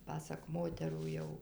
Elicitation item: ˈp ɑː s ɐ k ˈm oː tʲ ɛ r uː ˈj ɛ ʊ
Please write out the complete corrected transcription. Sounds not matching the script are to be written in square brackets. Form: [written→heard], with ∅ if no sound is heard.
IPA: ˈp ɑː s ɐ k ˈm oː tʲ ɛ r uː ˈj ɛ ʊ